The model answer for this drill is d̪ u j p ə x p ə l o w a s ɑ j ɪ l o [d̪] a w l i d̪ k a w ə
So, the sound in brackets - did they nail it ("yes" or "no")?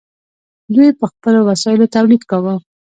no